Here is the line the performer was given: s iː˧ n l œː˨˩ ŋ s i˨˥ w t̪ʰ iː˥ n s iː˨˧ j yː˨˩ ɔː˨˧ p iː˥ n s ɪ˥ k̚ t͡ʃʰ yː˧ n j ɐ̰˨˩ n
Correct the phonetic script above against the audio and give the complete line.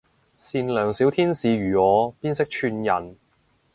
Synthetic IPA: s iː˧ n l œː˨˩ ŋ s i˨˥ w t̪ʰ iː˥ n s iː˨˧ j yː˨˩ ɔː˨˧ p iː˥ n s ɪ˥ k̚ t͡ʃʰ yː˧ n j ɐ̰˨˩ n